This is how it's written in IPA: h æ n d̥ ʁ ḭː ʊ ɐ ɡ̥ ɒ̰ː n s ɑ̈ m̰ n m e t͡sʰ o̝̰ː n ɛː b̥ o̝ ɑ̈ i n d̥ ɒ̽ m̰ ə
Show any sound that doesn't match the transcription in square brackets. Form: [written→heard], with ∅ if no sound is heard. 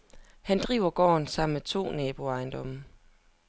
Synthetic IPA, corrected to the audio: h æ n d̥ ʁ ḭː ʊ ɐ ɡ̥ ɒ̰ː n s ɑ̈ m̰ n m e t͡sʰ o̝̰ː n ɛː b̥ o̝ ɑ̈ [i→ɪ] n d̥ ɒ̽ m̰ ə

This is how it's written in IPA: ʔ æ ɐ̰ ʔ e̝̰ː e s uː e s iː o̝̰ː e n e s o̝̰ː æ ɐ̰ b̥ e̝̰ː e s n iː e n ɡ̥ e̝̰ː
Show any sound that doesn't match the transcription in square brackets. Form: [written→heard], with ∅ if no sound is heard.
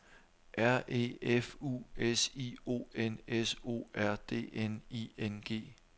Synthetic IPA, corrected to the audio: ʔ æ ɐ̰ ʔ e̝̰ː e [s→f] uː e s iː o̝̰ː e n e s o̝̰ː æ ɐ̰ [b̥→d̥] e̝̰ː e [s→∅] n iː e n ɡ̥ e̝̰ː

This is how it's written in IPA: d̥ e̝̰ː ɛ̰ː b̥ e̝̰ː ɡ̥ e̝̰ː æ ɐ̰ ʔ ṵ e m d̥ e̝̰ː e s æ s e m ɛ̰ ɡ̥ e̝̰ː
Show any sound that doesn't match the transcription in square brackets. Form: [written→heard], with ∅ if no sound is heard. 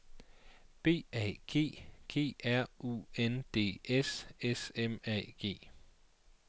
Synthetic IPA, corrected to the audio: [d̥→b̥] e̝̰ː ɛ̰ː [b̥→ɡ̥] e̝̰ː ɡ̥ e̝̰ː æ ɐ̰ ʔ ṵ e [m→n] d̥ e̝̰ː e s [æ→e] s e m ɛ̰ ɡ̥ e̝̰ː

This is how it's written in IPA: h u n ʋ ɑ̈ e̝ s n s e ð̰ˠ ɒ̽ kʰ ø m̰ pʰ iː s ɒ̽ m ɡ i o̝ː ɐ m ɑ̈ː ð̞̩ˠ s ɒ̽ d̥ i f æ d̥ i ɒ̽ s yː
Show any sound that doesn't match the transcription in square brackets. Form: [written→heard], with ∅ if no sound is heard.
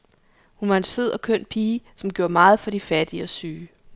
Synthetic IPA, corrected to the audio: h u n ʋ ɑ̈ e̝ [s→∅] n s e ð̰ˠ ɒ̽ kʰ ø [m̰→n̰] pʰ iː s ɒ̽ m ɡ [i→j] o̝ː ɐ m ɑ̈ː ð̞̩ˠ [s→f] ɒ̽ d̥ i f æ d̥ i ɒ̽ s yː

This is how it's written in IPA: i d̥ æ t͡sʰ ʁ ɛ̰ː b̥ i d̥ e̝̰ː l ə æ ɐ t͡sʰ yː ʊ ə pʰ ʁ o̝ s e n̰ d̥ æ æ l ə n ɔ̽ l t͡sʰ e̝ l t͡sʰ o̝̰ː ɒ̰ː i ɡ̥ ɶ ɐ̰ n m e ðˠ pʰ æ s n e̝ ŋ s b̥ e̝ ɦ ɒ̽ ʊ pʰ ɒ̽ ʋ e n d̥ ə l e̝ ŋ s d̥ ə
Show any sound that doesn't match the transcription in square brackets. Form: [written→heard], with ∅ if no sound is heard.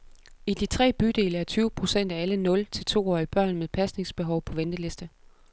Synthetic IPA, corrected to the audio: i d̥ [æ→i] t͡sʰ ʁ ɛ̰ː b̥ [i→y] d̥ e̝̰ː l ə æ ɐ t͡sʰ yː ʊ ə pʰ ʁ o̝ s e n̰ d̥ æ æ l ə n ɔ̽ l t͡sʰ e̝ l t͡sʰ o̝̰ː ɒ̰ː i [ɡ̥→b̥] ɶ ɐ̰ n m e ðˠ pʰ æ s n e̝ ŋ s b̥ e̝ ɦ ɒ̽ ʊ pʰ ɒ̽ ʋ e n d̥ ə l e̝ [ŋ→∅] s d̥ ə

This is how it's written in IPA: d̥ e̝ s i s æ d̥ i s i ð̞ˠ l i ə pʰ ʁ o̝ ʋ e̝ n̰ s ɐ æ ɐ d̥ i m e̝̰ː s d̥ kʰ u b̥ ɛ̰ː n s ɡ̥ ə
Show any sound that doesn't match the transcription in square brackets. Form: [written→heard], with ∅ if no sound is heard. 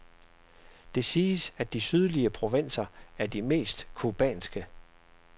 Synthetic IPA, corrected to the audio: d̥ e̝ s [i→iː] s æ d̥ i s [i→y] ð̞ˠ l i ə pʰ ʁ o̝ ʋ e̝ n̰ s ɐ æ ɐ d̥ i m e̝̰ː s d̥ kʰ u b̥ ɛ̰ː n s ɡ̥ ə

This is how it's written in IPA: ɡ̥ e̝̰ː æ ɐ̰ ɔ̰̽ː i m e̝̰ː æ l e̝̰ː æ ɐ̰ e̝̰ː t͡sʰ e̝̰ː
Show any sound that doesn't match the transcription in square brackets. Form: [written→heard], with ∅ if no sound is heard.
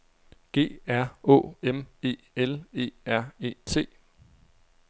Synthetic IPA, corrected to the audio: ɡ̥ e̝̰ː æ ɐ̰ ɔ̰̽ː [i→e] m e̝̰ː [æ→e] l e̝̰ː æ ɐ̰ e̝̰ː t͡sʰ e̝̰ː

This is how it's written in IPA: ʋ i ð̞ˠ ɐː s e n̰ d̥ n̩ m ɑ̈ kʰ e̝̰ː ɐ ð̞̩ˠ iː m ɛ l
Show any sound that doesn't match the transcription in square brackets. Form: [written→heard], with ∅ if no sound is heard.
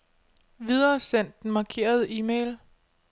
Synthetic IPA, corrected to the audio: ʋ i ð̞ˠ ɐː s e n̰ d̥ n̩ m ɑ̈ kʰ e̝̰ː ɐ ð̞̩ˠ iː m [ɛ→e] l

